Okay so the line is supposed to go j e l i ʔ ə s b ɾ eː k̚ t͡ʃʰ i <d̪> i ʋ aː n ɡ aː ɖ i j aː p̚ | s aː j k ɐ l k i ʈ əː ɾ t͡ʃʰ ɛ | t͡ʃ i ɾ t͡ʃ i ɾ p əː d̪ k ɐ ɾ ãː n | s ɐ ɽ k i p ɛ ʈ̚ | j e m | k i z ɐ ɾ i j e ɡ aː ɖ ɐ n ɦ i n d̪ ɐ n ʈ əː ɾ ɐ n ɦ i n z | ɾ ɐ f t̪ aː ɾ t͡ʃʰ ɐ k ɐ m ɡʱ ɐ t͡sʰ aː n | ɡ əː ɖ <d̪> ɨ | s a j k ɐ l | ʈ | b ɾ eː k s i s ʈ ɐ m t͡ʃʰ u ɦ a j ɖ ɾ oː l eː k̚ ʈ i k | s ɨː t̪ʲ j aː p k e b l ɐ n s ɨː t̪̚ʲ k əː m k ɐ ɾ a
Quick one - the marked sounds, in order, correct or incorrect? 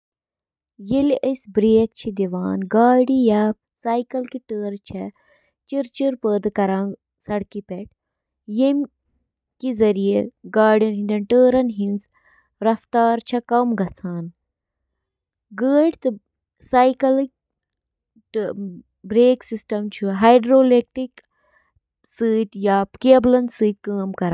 correct, incorrect

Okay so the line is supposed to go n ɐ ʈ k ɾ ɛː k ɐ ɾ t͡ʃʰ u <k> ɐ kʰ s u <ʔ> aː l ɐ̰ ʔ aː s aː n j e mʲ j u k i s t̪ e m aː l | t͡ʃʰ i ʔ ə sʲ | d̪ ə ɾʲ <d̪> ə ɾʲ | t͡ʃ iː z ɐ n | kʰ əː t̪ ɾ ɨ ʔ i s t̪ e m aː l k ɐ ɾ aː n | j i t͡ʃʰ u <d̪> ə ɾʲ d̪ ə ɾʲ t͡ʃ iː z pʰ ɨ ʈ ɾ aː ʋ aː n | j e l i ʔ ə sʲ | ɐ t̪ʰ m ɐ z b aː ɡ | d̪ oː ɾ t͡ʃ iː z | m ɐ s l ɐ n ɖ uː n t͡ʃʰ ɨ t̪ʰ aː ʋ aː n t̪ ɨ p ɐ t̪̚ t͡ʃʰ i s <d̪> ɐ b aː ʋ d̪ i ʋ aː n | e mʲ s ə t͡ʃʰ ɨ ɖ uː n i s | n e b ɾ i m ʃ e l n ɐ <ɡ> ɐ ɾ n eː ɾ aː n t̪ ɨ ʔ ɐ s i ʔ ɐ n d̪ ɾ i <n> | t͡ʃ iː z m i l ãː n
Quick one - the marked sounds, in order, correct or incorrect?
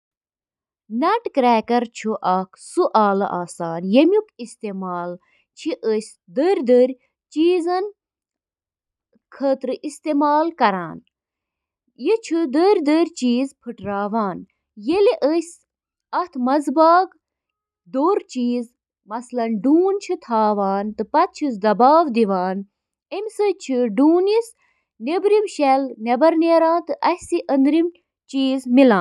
incorrect, correct, correct, correct, correct, incorrect, incorrect

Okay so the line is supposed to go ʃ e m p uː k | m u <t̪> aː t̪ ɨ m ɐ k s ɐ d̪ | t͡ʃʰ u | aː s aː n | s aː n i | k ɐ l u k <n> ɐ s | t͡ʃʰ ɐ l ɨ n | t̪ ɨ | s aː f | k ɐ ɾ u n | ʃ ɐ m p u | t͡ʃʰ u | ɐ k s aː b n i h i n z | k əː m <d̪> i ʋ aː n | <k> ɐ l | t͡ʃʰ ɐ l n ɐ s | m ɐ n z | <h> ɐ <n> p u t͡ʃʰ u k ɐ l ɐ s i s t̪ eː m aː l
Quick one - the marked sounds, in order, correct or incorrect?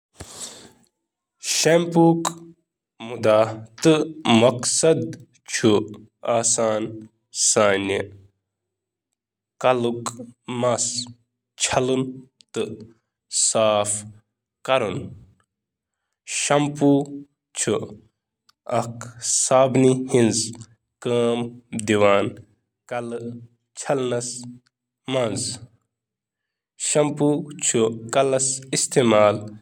incorrect, incorrect, correct, correct, incorrect, incorrect

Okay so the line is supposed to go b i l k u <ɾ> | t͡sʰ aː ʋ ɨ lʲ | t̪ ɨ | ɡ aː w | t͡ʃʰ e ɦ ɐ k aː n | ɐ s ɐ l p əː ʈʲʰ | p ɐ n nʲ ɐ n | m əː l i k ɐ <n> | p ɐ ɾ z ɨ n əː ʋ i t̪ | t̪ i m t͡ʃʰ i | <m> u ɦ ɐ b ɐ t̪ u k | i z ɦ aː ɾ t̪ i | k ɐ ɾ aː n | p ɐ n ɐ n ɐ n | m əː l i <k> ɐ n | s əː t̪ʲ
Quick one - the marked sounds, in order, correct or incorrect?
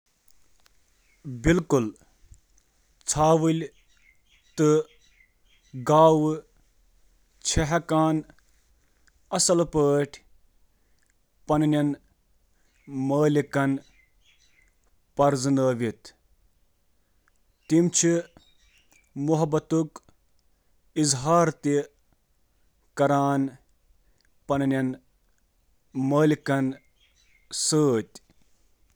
incorrect, correct, correct, correct

